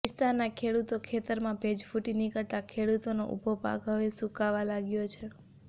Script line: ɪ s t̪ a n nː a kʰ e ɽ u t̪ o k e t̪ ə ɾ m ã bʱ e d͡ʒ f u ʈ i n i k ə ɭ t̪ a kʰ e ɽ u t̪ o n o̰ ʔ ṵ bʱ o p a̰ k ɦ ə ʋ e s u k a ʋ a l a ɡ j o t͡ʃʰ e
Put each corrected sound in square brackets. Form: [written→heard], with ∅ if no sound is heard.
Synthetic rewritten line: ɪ s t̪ a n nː a kʰ e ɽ u t̪ o [k→kʰ] e t̪ ə ɾ m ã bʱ e d͡ʒ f u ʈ i n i k ə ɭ t̪ a kʰ e ɽ u t̪ o n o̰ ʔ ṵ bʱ o p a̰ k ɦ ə ʋ e s u k a ʋ a l a ɡ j o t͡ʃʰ e